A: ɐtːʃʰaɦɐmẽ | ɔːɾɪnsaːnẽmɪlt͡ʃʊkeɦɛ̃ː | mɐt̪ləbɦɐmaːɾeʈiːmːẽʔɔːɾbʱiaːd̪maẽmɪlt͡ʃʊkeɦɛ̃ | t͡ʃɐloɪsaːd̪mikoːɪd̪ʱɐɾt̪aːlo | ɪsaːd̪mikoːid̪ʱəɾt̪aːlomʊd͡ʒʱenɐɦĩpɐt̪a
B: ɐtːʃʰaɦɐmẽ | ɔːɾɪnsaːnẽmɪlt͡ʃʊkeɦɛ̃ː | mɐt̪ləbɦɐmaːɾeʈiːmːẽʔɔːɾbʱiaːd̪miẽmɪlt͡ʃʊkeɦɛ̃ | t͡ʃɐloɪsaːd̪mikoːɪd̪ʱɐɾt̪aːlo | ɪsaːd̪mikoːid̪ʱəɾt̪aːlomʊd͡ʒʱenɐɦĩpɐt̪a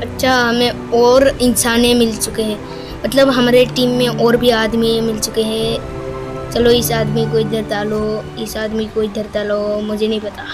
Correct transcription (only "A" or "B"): B